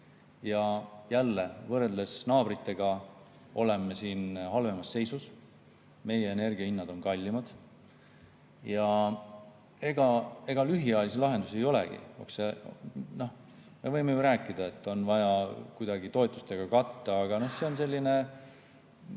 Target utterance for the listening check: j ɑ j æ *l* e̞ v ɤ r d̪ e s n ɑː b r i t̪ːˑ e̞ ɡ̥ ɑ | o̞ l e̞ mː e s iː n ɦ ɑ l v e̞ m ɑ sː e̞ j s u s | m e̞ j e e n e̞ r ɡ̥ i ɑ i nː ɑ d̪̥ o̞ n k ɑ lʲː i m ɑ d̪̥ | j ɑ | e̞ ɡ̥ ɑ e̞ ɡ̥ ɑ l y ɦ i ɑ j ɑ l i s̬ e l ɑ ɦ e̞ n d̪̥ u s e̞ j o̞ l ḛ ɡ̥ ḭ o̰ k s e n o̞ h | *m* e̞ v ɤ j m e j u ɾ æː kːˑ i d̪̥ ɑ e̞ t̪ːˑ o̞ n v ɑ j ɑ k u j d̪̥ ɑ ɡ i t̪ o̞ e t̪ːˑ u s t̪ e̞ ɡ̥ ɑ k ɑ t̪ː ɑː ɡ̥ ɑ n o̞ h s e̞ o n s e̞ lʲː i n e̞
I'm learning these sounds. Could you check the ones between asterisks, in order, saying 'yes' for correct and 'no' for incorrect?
no, yes

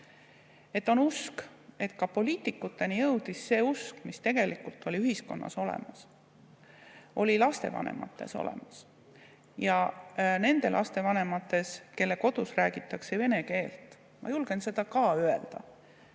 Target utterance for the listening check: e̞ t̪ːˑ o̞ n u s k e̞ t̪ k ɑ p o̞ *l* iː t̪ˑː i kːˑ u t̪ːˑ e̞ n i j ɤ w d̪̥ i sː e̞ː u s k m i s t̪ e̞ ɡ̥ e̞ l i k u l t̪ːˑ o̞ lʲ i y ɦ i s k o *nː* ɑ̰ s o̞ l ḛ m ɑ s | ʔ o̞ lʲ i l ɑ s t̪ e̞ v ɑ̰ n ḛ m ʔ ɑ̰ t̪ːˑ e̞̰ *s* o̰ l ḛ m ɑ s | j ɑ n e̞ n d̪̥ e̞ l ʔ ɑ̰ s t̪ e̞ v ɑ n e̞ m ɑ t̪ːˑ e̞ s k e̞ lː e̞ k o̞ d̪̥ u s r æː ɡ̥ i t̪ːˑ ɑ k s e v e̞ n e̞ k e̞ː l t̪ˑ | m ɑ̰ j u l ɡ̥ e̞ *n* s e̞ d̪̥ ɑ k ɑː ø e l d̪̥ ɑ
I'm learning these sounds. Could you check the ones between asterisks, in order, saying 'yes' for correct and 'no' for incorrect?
yes, yes, yes, yes

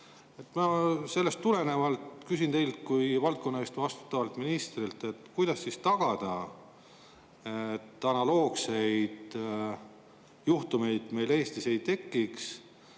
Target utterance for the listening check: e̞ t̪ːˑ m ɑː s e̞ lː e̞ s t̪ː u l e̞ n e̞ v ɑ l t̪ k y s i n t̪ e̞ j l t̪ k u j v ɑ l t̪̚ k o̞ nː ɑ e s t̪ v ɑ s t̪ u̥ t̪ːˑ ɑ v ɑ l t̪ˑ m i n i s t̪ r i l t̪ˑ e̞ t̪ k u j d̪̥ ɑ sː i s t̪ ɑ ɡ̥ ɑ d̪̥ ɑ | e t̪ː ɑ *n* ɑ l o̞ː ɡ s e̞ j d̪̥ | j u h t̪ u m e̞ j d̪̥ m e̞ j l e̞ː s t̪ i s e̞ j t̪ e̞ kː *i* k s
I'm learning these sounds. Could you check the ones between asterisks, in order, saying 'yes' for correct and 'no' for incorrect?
yes, yes

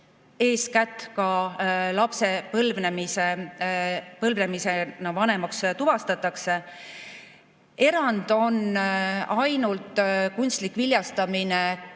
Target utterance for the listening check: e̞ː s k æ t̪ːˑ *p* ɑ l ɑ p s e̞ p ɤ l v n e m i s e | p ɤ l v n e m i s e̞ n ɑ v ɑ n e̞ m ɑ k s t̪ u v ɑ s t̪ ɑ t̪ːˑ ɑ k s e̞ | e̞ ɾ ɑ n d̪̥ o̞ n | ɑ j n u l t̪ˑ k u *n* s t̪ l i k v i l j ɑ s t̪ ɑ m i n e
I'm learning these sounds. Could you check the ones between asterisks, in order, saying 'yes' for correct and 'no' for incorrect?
no, yes

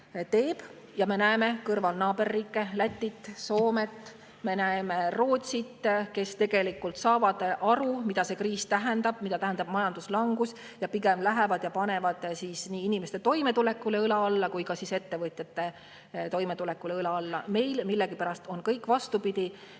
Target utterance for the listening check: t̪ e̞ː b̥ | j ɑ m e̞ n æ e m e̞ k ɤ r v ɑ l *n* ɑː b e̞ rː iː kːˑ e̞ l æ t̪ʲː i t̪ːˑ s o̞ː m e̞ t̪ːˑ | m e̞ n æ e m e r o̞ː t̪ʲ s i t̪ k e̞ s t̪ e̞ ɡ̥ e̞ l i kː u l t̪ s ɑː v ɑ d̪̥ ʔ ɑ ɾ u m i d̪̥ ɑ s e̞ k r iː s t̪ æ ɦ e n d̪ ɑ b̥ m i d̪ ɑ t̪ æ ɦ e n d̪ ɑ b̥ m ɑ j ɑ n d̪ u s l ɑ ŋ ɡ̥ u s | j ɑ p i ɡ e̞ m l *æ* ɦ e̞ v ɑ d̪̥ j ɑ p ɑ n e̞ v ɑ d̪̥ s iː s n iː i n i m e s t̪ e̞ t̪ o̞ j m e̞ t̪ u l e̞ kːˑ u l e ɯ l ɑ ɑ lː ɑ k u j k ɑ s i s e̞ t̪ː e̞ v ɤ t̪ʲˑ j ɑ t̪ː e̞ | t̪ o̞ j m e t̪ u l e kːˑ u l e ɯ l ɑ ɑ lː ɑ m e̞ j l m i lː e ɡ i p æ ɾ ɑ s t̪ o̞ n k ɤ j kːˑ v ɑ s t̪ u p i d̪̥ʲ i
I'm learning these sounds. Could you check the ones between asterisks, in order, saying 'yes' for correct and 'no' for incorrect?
yes, yes

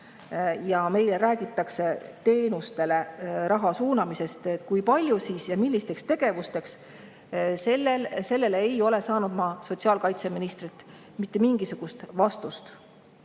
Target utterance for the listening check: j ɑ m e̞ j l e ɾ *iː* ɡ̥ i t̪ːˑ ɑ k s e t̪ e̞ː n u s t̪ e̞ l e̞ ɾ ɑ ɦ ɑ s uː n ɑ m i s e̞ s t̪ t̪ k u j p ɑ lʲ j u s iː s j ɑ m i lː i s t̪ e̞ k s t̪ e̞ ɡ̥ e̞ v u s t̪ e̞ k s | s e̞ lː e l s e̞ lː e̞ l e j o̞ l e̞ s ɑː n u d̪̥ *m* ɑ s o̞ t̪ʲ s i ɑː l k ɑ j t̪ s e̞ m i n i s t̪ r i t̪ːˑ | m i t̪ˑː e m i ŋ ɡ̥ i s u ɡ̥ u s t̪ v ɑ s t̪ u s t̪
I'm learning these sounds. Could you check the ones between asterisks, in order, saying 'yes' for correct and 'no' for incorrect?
no, yes

